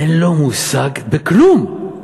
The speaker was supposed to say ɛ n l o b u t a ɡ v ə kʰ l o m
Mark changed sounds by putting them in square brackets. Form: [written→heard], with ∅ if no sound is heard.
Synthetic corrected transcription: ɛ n l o [b→m] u [t→s] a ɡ [v→b] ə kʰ l [o→u] m